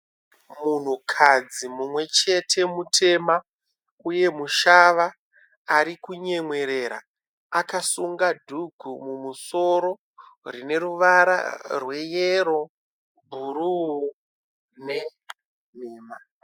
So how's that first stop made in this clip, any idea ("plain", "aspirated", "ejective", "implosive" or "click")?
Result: aspirated